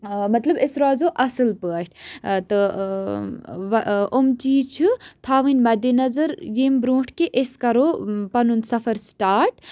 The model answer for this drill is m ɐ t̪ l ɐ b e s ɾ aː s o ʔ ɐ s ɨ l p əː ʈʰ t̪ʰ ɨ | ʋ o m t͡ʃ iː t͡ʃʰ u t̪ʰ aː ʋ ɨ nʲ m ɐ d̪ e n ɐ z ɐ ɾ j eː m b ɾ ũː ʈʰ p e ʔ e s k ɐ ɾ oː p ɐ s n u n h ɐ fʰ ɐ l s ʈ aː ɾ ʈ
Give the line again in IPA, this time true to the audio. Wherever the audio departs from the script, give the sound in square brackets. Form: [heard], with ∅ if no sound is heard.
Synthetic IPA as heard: m ɐ t̪ l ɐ b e s ɾ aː [z] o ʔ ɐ s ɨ l p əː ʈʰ [t̪] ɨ | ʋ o m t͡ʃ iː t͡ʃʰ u t̪ʰ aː ʋ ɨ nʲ m ɐ d̪ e n ɐ z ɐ ɾ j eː m b ɾ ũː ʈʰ [k] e ʔ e s k ɐ ɾ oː p ɐ [∅] n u n [s] ɐ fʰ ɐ [ɾ] s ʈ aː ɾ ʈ